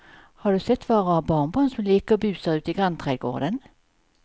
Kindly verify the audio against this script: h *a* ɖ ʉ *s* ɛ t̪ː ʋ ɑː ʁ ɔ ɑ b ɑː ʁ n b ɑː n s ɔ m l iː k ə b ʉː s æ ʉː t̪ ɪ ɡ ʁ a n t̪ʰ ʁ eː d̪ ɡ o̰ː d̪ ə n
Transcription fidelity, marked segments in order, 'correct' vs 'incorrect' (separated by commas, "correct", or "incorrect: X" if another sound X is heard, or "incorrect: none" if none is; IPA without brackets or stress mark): incorrect: ɑ, correct